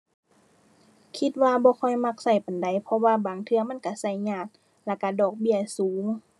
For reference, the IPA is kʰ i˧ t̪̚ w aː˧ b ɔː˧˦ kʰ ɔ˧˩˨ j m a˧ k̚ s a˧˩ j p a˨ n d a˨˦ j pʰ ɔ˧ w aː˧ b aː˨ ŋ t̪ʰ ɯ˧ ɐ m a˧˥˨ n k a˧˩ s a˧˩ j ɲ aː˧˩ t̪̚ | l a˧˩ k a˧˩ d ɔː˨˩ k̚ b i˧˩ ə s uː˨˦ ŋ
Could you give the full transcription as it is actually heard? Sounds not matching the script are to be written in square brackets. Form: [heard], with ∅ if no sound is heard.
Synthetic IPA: kʰ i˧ t̪̚ w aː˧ b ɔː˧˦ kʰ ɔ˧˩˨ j m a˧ k̚ s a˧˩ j p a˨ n d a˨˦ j pʰ ɔ˧ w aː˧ b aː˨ ŋ t̪ʰ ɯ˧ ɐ m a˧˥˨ n k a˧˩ s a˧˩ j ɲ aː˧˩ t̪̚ | l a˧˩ k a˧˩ d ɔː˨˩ k̚ b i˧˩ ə s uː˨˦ ŋ

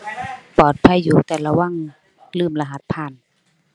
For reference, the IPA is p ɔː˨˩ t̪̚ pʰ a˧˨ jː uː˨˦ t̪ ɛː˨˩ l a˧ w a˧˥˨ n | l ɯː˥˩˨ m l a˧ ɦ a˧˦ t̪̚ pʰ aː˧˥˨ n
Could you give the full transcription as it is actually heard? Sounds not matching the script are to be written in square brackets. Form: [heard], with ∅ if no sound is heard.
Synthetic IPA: p ɔː˨˩ t̪̚ pʰ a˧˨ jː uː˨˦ t̪ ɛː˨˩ l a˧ w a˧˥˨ [ŋ] | l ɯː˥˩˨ m l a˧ ɦ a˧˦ t̪̚ pʰ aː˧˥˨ n

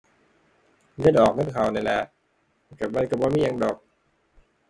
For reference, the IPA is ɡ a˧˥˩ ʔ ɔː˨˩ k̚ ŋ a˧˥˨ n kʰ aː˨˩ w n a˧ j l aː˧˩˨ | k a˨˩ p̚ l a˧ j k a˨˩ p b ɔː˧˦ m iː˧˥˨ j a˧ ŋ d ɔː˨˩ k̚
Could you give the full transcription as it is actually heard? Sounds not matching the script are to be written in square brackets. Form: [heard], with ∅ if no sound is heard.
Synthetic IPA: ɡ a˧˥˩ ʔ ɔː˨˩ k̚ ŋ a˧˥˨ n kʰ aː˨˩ w n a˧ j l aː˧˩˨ | k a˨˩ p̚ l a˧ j k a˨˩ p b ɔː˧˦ m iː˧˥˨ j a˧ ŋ d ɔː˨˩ k̚

